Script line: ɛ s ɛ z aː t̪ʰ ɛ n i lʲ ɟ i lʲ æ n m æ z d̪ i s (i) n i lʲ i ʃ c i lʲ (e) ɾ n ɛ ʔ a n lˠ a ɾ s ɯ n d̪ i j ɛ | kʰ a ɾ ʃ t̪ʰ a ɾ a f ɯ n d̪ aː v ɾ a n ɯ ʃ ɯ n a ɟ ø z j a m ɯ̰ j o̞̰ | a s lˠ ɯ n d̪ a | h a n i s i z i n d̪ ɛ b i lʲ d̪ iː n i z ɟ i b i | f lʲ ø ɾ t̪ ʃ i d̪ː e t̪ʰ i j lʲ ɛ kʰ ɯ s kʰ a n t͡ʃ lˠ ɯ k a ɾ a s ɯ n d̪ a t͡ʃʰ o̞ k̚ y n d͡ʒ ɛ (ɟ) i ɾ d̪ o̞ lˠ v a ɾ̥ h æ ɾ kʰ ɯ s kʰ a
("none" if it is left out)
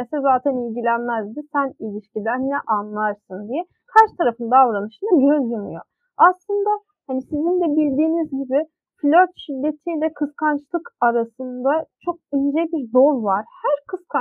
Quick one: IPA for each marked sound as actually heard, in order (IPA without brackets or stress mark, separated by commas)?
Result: æ, æ, b